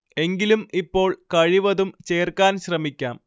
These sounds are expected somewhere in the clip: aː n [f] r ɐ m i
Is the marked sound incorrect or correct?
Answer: incorrect: ɕ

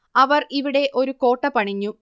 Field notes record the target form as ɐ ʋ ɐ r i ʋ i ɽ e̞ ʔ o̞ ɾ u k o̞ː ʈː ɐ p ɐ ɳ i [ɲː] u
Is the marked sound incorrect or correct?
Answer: correct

